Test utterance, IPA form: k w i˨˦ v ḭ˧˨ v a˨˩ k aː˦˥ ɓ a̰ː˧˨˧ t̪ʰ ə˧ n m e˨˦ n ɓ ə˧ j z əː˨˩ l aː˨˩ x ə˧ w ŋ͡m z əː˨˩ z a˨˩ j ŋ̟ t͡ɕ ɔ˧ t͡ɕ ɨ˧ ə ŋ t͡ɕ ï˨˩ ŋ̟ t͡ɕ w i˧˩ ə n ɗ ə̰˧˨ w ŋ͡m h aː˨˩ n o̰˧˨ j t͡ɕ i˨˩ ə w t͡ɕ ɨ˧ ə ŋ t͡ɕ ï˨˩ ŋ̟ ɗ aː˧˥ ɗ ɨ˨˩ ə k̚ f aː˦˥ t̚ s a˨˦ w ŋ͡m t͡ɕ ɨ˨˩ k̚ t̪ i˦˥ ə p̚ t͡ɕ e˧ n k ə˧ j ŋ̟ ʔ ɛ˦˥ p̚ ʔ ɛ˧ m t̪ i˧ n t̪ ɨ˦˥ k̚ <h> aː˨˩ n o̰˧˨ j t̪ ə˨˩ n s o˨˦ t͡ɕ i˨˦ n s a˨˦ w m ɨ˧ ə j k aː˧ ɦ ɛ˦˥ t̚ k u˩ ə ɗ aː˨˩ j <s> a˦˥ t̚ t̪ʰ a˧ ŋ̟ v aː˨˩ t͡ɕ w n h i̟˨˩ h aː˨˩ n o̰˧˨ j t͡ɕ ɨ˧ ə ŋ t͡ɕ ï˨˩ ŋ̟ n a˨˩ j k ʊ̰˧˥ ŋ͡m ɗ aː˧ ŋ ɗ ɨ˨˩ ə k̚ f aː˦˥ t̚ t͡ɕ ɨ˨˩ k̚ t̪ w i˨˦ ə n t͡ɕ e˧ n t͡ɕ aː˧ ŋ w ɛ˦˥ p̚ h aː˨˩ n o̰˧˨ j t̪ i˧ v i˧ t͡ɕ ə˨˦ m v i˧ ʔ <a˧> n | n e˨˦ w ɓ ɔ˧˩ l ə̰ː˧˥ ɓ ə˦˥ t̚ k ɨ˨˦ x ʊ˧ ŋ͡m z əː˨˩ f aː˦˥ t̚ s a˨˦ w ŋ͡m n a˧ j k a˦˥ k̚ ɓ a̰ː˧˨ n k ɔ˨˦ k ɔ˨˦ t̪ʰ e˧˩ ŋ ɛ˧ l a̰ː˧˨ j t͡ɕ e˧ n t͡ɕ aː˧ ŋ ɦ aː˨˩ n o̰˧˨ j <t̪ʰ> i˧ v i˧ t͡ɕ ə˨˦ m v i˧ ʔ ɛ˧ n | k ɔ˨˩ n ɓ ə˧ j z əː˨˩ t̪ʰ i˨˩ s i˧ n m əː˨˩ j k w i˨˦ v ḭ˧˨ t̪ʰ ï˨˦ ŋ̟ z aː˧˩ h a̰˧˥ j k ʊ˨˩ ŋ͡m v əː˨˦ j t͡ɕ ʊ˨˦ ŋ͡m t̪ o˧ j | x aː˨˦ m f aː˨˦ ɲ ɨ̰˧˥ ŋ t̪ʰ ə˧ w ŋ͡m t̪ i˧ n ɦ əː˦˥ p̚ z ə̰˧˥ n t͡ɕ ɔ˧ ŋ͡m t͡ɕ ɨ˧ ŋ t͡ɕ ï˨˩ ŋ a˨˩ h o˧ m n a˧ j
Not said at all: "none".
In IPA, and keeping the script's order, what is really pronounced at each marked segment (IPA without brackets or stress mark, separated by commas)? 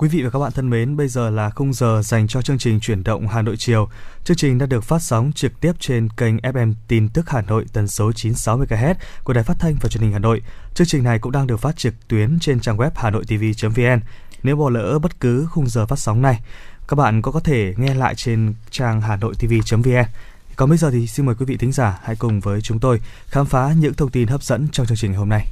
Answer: h, f, ɛ˧, t̪